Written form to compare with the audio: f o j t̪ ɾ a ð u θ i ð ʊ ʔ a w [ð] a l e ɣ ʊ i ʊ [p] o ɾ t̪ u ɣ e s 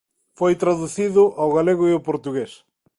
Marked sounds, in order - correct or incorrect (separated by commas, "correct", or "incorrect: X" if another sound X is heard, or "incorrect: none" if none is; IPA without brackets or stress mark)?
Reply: incorrect: ɣ, correct